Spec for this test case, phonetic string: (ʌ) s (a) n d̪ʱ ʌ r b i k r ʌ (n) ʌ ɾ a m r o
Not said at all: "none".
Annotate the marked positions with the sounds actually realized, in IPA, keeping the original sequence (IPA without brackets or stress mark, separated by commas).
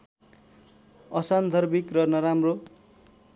ʌ, a, n